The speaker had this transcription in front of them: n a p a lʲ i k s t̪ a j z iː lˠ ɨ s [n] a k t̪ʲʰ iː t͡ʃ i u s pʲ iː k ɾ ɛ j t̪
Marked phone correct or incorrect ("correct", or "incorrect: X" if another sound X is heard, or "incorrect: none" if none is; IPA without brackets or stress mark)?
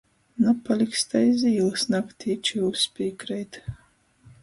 correct